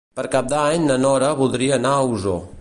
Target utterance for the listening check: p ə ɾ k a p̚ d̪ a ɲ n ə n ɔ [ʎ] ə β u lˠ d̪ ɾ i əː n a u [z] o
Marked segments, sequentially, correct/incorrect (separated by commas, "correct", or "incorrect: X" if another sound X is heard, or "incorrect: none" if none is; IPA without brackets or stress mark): incorrect: ɾ, correct